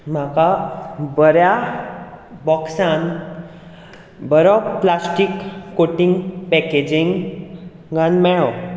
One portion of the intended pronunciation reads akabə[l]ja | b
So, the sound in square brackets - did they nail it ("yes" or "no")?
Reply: no